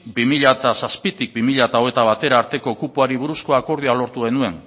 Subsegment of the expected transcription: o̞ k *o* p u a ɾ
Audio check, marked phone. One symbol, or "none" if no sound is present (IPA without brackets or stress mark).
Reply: u